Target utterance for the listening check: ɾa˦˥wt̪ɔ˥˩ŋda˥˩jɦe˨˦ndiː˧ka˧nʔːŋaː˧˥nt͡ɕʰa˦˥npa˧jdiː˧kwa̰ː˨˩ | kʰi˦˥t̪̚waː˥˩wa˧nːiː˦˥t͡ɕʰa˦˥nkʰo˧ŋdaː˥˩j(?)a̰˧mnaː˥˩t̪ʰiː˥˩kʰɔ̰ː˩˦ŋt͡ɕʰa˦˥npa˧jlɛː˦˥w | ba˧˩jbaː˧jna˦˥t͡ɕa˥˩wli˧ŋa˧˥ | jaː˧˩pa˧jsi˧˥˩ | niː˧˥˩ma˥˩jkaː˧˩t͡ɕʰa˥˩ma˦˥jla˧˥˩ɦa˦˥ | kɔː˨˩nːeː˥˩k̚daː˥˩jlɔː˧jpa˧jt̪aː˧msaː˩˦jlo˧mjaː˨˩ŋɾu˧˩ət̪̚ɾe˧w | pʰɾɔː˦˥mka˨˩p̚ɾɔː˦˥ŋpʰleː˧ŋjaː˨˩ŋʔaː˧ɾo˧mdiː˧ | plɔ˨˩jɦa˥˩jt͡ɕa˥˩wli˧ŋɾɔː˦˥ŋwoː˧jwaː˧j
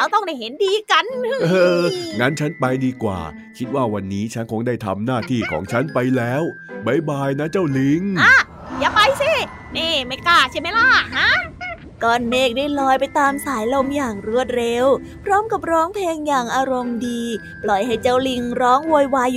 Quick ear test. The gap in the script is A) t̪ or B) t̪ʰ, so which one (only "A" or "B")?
B